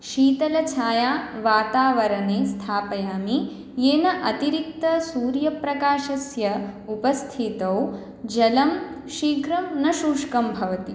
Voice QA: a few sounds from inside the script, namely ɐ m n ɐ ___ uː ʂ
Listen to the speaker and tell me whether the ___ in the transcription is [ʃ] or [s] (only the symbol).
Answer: ʃ